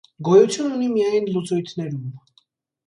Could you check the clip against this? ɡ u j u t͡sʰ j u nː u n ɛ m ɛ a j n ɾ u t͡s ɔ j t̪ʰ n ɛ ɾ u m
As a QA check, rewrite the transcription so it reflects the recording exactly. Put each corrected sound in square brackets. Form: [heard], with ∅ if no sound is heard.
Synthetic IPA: ɡ [ɔ] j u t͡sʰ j u [n] u n [i] m [i] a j n [l] u t͡s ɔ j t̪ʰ n ɛ ɾ u m